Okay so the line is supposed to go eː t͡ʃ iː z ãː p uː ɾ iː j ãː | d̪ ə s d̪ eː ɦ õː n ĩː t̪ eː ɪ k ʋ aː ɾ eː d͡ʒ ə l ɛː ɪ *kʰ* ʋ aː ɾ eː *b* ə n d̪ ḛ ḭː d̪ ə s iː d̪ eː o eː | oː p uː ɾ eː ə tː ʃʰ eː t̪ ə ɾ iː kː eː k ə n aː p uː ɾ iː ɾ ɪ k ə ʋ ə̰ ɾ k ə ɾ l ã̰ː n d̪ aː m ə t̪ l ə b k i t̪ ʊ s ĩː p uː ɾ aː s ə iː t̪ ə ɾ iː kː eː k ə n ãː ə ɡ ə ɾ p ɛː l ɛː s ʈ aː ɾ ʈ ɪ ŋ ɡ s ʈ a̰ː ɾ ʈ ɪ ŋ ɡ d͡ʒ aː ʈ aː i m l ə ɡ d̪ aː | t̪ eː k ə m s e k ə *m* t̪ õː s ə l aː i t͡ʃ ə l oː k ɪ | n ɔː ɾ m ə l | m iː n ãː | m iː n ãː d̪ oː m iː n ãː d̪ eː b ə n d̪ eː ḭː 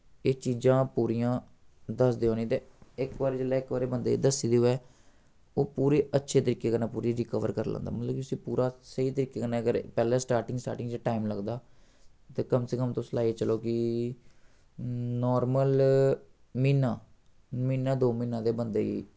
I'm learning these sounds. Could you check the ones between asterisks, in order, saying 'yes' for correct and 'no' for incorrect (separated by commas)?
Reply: no, yes, yes